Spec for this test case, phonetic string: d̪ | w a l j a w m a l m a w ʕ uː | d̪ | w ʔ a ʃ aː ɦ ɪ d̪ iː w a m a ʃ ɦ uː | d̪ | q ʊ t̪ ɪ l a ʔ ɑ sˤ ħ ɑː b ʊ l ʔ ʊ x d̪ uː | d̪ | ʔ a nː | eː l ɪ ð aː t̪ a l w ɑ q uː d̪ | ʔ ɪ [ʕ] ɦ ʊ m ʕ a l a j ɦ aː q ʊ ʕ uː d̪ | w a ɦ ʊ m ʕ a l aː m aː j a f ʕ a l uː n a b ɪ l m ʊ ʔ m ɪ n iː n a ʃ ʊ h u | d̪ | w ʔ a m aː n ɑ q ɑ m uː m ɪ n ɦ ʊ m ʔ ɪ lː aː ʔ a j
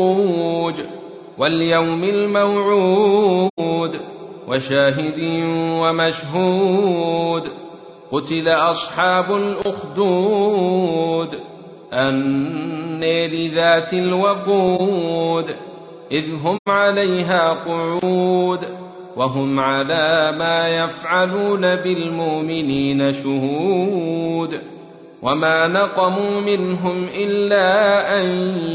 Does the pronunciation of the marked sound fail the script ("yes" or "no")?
yes